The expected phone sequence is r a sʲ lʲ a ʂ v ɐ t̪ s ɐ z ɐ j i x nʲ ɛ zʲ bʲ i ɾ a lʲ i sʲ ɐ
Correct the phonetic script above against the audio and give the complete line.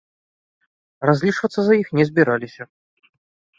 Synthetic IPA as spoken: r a zʲ lʲ i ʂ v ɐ t̪ s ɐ z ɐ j i x nʲ ɛ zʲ bʲ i ɾ a lʲ i sʲ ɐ